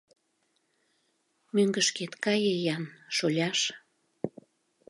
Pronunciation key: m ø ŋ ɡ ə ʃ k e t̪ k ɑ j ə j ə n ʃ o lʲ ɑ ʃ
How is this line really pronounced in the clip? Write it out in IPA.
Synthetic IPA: m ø ŋ ɡ ə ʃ k e t̪ k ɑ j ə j ɑ n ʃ o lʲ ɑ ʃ

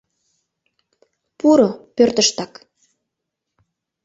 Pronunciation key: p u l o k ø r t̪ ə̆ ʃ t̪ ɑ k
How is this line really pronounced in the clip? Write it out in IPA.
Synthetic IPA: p u ɾ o p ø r t̪ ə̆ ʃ t̪ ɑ k

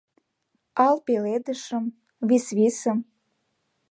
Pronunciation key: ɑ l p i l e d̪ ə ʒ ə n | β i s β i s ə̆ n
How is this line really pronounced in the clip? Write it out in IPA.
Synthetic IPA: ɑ l p e l e d̪ ə ʃ ə m | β i s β i s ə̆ m

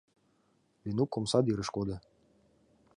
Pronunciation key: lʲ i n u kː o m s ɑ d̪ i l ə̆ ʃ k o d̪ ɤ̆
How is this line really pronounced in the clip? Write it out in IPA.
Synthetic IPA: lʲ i n u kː o m s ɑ d̪ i ɾ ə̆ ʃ k o d̪ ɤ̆

